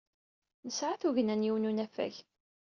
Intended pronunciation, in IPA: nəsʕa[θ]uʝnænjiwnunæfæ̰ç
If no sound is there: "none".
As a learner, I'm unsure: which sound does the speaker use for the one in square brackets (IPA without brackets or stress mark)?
θ